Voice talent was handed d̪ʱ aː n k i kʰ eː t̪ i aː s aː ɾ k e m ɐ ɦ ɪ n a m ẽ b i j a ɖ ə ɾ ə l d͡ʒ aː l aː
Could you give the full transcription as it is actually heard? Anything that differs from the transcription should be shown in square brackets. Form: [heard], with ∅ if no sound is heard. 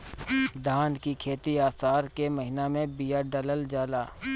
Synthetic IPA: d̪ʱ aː n k i kʰ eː t̪ i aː s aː ɾ k e m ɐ ɦ ɪ n a m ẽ b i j a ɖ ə [l] ə l d͡ʒ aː l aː